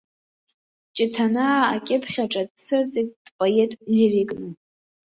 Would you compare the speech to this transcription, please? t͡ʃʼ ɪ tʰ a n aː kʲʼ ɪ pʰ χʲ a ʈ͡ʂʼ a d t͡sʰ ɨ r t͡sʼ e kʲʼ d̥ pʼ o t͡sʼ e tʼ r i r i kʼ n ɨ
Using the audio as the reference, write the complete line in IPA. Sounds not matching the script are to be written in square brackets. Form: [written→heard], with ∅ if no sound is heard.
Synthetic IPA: t͡ʃʼ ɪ tʰ a n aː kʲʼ ɪ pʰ χʲ a ʈ͡ʂʼ a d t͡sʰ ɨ r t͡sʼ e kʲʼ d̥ pʼ o [t͡sʼ→∅] e tʼ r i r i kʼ n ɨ